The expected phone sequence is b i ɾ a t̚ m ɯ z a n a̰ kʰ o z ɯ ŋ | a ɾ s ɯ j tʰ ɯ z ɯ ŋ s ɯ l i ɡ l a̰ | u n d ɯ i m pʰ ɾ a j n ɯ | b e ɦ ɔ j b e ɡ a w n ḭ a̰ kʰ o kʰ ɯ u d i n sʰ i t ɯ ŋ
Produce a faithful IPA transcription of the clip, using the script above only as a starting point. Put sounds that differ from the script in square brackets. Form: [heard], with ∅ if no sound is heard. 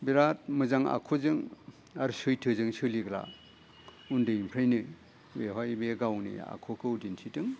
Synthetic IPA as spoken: b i ɾ a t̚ m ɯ z a [ŋ] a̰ kʰ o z ɯ ŋ | a ɾ s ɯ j tʰ ɯ z ɯ ŋ s ɯ l i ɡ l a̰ | u n d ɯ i m pʰ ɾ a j n ɯ | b e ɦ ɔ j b e ɡ a w n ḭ a̰ kʰ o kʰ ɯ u d i n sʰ i t ɯ ŋ

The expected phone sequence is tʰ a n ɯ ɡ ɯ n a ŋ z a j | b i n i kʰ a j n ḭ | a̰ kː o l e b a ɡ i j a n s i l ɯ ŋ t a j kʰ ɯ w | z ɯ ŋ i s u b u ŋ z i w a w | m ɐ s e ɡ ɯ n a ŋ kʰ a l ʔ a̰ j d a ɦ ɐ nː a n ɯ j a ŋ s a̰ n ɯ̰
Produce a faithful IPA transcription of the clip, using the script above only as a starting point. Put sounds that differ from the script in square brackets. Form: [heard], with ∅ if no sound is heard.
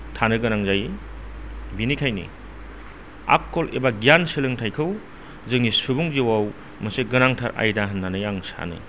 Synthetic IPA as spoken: tʰ a n ɯ ɡ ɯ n a ŋ z a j | b i n i kʰ a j n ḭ | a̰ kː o l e b a ɡ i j a n s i l ɯ ŋ [tʰ] a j kʰ ɯ w | z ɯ ŋ i s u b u ŋ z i w a w | m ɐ s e ɡ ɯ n a ŋ [tʰ] a [ɾ] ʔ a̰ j d a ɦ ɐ nː a n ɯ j a ŋ s a̰ n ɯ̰

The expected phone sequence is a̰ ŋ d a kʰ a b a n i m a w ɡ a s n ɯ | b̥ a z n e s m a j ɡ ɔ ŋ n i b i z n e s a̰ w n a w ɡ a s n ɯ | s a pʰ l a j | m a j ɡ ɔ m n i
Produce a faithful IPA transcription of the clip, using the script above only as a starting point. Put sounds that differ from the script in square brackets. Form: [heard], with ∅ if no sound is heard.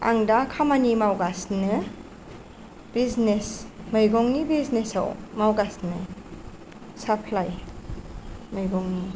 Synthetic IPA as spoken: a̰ ŋ d a kʰ a [m] a n i m a w ɡ a s n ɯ | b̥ [i] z n e s m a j ɡ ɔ ŋ n i b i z n e s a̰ w [m] a w ɡ a s n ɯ | s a pʰ l a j | m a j ɡ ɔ [ŋ] n i

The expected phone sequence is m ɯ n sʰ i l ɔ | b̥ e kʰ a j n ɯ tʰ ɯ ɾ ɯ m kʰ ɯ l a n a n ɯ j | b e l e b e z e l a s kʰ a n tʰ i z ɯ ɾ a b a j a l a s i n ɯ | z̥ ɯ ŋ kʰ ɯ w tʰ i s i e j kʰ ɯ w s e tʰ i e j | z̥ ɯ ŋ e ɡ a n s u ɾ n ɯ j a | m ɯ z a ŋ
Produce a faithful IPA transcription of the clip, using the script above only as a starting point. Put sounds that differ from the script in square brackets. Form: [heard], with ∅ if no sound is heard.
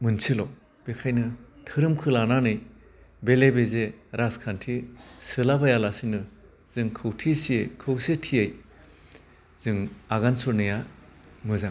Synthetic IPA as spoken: m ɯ n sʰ i l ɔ | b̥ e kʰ a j n ɯ tʰ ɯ ɾ ɯ m kʰ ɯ l a n a n ɯ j | b e l e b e z e [ɾ] a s kʰ a n tʰ i [s] ɯ [l] a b a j a l a s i n ɯ | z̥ ɯ ŋ kʰ ɯ w tʰ i s i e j kʰ ɯ w s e tʰ i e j | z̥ ɯ ŋ [a] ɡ a n s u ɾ n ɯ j a | m ɯ z a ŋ

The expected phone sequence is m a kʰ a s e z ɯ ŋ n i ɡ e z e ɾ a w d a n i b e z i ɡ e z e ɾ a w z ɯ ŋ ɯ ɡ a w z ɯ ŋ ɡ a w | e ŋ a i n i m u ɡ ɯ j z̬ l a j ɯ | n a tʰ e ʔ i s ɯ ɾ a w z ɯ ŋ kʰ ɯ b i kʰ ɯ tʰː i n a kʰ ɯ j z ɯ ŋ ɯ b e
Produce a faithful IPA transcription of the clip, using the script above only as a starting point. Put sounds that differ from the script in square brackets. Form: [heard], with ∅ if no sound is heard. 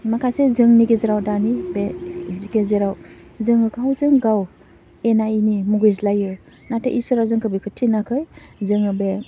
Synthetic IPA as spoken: m a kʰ a s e z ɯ ŋ n i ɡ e z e ɾ a w d a n i b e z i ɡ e z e ɾ a w z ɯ ŋ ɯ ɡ a w z ɯ ŋ ɡ a w | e [n] a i n i m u ɡ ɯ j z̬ l a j ɯ | n a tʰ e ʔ i s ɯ ɾ a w z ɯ ŋ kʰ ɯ b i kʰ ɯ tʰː i n a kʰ ɯ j z ɯ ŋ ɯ b e

